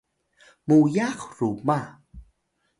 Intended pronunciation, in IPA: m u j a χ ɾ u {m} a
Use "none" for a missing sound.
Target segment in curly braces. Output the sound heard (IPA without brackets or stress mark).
m